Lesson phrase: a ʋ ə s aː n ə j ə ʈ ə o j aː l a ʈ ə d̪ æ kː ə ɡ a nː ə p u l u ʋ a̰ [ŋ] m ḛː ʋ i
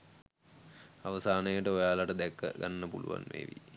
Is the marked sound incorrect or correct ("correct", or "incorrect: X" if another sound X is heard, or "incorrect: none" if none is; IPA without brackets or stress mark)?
incorrect: n